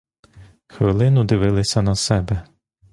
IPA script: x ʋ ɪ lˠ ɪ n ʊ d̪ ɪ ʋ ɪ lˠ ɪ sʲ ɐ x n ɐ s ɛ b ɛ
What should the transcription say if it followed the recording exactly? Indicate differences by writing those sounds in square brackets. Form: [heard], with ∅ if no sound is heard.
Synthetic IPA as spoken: x ʋ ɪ lˠ ɪ n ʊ d̪ ɪ ʋ ɪ lˠ ɪ sʲ ɐ [∅] n ɐ s ɛ b ɛ